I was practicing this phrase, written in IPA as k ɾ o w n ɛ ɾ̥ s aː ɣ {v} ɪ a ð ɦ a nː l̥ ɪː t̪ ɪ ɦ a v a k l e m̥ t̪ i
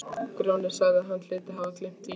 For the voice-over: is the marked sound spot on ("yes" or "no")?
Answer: no